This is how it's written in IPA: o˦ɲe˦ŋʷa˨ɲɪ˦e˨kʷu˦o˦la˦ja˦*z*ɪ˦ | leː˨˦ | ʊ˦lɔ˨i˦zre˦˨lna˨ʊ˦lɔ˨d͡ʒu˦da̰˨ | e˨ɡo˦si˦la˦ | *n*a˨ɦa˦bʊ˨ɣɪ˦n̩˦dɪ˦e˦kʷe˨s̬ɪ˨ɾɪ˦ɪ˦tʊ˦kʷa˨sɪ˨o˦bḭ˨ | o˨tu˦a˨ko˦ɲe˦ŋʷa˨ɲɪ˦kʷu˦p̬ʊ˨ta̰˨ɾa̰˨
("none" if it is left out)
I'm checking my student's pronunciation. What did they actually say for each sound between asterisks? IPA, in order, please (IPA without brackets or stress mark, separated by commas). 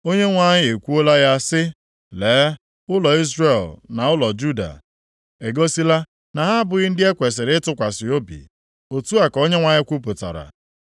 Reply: s, n